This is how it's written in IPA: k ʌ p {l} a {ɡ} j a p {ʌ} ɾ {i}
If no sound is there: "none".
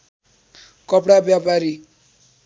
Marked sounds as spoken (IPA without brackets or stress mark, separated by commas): ɽ, b, a, i